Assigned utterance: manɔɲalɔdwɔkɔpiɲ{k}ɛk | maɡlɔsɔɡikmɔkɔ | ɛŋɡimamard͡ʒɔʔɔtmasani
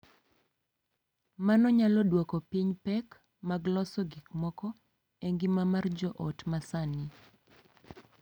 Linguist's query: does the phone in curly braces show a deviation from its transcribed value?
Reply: yes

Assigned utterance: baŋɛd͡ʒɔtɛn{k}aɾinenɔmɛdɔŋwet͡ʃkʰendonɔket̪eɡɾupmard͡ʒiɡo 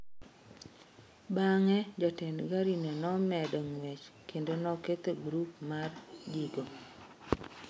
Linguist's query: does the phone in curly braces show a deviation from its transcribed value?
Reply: yes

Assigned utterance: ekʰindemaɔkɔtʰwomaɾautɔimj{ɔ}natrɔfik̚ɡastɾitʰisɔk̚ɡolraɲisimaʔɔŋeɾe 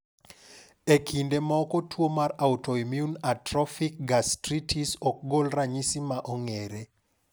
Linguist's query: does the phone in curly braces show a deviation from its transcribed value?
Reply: yes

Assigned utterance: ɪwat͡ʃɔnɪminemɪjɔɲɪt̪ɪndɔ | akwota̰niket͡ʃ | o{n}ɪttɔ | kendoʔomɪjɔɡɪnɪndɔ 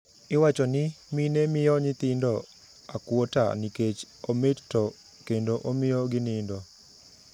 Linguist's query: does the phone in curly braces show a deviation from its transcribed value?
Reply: yes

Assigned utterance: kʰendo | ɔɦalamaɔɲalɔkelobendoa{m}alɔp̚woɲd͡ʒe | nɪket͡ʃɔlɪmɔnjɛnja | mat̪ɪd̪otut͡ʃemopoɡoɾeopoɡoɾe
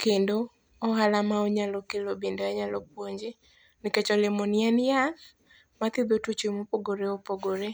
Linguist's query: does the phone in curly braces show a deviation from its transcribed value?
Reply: yes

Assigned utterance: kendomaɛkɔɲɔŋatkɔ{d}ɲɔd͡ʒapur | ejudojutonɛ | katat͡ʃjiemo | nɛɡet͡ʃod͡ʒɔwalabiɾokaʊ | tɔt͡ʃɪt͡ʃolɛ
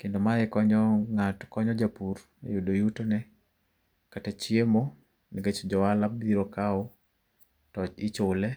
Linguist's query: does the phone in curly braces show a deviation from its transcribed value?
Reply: yes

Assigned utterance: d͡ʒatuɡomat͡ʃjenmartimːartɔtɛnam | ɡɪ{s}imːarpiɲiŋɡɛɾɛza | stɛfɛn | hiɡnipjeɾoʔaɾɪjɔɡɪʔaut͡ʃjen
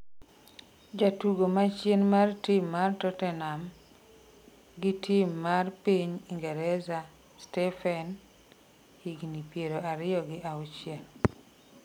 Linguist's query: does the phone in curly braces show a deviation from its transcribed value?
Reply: yes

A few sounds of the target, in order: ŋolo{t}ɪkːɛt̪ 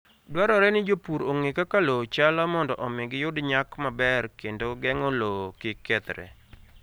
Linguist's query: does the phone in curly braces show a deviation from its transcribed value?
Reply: yes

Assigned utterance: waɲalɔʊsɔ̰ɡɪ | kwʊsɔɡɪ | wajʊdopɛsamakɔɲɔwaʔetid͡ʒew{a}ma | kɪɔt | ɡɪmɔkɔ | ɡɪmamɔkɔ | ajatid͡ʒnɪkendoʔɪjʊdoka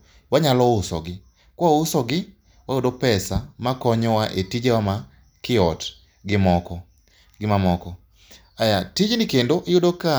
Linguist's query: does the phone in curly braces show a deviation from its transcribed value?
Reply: no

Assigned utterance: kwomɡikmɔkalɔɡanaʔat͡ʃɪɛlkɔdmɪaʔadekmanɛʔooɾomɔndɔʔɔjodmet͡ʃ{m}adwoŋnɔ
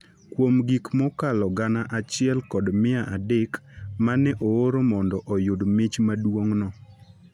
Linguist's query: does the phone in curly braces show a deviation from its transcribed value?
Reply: no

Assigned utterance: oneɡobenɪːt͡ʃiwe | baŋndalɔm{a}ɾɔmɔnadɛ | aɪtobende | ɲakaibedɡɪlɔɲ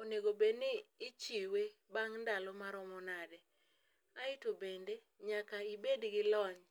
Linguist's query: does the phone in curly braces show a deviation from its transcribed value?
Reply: no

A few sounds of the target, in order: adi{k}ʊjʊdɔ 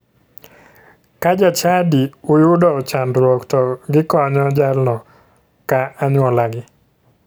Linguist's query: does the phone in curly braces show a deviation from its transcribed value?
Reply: yes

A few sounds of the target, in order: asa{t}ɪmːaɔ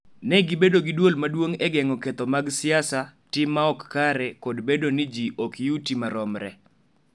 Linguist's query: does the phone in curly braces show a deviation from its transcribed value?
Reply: no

